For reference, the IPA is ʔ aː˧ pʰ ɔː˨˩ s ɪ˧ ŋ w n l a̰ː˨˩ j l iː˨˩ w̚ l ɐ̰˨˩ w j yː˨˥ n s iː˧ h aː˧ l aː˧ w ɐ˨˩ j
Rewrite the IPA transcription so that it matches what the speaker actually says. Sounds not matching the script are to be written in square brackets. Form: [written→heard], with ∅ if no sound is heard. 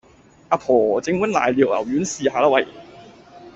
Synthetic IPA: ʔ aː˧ pʰ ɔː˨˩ [s→t͡s] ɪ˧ ŋ w n l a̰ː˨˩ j l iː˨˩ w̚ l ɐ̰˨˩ w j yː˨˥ n s iː˧ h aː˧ l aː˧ w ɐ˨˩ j